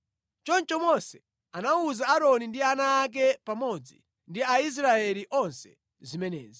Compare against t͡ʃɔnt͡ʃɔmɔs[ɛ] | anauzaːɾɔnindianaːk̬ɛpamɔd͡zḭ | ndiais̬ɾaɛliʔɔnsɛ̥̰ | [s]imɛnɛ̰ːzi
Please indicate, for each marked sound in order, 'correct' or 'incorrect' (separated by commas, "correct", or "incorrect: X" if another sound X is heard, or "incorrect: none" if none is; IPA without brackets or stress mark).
correct, incorrect: z